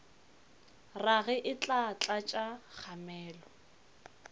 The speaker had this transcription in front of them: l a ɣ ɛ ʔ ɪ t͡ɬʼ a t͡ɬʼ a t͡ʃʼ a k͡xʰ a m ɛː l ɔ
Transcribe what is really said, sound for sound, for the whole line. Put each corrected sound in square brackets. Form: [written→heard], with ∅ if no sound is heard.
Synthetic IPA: [l→r] a ɣ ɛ ʔ ɪ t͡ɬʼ a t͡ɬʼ a t͡ʃʼ a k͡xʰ a m ɛː l ɔ